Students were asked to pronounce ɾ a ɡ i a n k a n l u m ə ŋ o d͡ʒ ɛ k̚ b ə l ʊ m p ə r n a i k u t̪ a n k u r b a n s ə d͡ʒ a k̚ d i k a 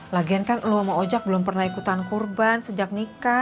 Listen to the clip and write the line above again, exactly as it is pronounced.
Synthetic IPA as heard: l a ɡ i a n k a n l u m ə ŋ o d͡ʒ a k̚ b ə l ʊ m p ə r n a i k u t̪ a n k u r b a n s ə d͡ʒ a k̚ n i k a